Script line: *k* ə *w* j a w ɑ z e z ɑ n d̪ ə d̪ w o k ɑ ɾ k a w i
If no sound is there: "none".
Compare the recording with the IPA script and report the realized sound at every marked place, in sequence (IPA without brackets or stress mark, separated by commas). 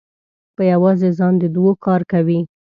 p, none